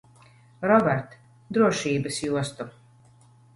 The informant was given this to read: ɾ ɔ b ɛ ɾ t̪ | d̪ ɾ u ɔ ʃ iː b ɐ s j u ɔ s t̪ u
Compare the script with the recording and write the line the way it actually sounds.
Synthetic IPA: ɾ ɔ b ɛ ɾ t̪ | d̪ ɾ u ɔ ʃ iː b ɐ s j u ɔ s t̪ u